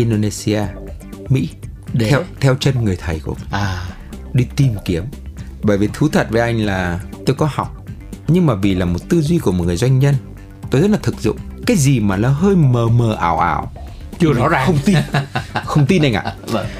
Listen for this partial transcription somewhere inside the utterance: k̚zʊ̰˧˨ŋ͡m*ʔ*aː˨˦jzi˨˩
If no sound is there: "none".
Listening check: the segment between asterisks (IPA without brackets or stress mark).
k